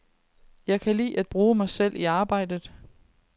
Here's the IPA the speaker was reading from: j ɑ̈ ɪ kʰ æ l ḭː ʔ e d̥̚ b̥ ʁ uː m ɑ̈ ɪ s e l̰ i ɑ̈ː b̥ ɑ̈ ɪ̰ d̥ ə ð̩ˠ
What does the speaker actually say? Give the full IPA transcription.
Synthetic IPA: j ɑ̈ ɪ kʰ æ l ḭː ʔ æ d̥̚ b̥ ʁ uː m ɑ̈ ɪ s e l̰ i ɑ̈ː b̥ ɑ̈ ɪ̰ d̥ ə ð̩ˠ

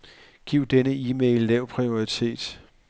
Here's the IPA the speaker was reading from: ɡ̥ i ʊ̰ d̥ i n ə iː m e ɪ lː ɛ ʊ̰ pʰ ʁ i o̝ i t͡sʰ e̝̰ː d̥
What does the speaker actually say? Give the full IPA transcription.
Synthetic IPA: ɡ̥ i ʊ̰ d̥ e n ə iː m e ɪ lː ɛ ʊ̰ pʰ ʁ i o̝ i t͡sʰ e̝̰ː d̥

